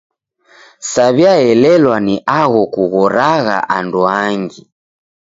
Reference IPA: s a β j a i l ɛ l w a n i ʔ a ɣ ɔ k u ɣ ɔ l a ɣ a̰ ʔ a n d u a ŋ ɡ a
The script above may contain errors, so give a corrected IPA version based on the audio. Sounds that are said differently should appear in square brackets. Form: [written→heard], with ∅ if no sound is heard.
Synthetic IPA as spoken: s a β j a [i→ɛ] l ɛ l w a n i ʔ a ɣ ɔ k u ɣ ɔ [l→ɾ] a ɣ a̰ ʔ a n d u a ŋ ɡ [a→i]